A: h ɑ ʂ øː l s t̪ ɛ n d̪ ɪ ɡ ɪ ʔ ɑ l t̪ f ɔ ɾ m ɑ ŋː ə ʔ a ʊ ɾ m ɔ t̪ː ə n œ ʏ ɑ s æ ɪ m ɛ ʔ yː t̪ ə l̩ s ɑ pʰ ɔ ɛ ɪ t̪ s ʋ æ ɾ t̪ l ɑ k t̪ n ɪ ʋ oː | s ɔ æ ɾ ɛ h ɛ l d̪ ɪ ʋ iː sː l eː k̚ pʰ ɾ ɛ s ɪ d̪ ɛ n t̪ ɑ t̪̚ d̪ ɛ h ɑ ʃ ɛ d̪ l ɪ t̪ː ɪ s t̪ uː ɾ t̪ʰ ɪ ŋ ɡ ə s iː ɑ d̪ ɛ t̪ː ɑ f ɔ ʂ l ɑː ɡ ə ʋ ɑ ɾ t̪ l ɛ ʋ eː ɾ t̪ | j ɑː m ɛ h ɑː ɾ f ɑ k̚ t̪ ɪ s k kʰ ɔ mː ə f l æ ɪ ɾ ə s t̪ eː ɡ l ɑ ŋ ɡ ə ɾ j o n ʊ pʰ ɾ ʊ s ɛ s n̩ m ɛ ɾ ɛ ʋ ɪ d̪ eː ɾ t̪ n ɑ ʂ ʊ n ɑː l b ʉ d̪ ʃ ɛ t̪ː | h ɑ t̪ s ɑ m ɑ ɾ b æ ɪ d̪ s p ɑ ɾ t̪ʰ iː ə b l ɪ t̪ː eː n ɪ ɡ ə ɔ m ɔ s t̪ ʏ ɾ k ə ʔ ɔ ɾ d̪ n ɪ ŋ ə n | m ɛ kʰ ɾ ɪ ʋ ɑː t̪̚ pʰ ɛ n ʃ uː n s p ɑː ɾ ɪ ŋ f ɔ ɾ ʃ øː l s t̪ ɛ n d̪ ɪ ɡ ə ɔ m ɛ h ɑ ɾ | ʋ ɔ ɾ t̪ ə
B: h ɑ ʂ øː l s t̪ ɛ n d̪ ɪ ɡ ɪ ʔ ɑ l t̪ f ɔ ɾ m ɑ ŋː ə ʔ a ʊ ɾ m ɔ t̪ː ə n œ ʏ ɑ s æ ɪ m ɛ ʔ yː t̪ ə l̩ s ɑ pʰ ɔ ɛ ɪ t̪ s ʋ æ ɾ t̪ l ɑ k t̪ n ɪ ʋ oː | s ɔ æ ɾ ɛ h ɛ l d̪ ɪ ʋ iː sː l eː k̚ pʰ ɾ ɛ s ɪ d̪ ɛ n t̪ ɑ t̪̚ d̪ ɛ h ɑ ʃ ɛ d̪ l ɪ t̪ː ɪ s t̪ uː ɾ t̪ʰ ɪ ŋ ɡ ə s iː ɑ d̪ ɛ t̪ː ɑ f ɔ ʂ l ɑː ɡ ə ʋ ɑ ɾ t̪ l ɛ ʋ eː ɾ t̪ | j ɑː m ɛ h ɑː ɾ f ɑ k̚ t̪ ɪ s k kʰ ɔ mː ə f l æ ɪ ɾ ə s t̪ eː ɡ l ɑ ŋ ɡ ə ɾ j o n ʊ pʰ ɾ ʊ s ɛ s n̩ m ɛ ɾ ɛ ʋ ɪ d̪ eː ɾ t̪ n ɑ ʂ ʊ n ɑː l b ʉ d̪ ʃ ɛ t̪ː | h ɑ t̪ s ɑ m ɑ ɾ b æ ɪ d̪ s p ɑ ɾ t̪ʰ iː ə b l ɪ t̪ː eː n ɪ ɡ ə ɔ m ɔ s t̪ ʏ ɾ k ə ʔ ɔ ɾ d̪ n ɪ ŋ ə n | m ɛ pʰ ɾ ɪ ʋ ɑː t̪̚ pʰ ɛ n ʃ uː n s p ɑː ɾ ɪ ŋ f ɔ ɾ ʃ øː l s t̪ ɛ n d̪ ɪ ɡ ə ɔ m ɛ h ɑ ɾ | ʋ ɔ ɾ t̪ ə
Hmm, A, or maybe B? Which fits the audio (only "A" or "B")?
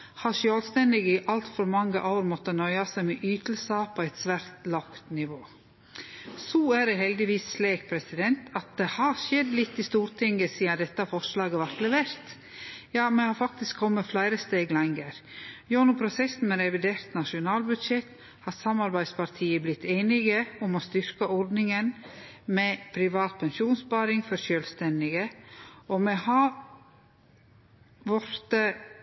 B